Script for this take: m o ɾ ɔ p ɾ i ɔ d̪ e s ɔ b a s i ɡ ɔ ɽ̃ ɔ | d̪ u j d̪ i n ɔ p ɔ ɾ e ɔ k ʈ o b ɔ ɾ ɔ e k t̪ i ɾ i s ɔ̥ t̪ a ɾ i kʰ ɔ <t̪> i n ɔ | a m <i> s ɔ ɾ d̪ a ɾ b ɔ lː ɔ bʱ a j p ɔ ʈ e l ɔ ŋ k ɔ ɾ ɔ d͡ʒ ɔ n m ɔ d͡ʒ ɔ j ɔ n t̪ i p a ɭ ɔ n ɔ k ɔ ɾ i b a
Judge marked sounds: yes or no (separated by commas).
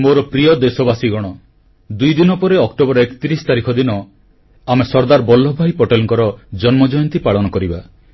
no, no